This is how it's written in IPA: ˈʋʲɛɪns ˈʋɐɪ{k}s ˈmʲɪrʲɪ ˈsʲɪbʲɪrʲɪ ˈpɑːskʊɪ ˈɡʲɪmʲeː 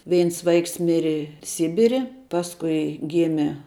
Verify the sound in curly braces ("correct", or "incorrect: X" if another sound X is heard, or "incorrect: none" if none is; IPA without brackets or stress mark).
correct